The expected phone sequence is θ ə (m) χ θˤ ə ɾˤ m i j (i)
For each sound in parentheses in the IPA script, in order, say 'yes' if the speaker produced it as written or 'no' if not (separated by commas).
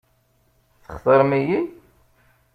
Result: no, yes